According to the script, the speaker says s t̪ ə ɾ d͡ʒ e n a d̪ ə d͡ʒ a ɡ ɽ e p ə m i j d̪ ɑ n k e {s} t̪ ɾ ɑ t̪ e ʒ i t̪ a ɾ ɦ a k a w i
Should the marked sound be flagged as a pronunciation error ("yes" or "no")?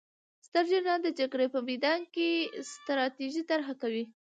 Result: no